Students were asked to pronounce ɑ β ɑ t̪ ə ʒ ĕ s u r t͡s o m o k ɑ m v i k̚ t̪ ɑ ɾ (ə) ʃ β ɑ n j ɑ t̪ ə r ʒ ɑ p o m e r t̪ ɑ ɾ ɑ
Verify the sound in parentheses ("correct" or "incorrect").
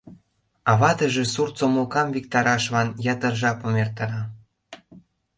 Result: incorrect